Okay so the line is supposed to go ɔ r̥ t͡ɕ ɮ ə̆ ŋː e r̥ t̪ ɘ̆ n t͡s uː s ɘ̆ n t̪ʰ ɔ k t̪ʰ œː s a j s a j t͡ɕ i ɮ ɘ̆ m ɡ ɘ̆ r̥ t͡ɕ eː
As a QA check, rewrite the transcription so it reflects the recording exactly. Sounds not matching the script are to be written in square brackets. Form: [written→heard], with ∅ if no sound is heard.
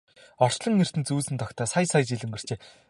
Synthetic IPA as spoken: ɔ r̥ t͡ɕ ɮ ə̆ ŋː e r̥ t̪ ɘ̆ n t͡s uː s ɘ̆ n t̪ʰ ɔ k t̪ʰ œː s a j s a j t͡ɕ i ɮ ɘ̆ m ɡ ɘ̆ r̥ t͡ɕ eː